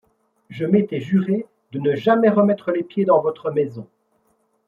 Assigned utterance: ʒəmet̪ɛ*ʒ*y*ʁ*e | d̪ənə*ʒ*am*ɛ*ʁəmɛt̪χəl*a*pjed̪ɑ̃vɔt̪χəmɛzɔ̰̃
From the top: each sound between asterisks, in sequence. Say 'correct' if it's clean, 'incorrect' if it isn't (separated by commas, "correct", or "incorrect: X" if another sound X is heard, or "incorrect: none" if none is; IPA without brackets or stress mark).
correct, correct, correct, correct, incorrect: e